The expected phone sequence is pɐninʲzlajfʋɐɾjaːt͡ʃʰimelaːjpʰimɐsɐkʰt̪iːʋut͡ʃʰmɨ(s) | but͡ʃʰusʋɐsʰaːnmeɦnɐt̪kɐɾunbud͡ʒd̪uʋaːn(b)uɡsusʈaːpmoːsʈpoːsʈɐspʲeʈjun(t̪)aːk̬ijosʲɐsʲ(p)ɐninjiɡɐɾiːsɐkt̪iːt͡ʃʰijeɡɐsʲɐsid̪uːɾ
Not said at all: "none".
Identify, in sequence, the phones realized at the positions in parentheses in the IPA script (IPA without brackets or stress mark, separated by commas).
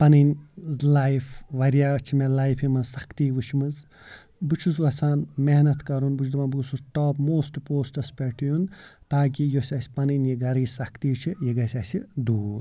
z, b, t̪, p